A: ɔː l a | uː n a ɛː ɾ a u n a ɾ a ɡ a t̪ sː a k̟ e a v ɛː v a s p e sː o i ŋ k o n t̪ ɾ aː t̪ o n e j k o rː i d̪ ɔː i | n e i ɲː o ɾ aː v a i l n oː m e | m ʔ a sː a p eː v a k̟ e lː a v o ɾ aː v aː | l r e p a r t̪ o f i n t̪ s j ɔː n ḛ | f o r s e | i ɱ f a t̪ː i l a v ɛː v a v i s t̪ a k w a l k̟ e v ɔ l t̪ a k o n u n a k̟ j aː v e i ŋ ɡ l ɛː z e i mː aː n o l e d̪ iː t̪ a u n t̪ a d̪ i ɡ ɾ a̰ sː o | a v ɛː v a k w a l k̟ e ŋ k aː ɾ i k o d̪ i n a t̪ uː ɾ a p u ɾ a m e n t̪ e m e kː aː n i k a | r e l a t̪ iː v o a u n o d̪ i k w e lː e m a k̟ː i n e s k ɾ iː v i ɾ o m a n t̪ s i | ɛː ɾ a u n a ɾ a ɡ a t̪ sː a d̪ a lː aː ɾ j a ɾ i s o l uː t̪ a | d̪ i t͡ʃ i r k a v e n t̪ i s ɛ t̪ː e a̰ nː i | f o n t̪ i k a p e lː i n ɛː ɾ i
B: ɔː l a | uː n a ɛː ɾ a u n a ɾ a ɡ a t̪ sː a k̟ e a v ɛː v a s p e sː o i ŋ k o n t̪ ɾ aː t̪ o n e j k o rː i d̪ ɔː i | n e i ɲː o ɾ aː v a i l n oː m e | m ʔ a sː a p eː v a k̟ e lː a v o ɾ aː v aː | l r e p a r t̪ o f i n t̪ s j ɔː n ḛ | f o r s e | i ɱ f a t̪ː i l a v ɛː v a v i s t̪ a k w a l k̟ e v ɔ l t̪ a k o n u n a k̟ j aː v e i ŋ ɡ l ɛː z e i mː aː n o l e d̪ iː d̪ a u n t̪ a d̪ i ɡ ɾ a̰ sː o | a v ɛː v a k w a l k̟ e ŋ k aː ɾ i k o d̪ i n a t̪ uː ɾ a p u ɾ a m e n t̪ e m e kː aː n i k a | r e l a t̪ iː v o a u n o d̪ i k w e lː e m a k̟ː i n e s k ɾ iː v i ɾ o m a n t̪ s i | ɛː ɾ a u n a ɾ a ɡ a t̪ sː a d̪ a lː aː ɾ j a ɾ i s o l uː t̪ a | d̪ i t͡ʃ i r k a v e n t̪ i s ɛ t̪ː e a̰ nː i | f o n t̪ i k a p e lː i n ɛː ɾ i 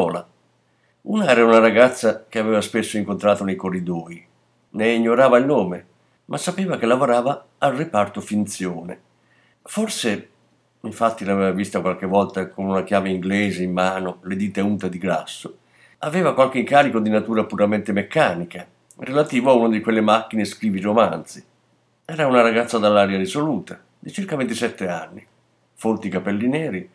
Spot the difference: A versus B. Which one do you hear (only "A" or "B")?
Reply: A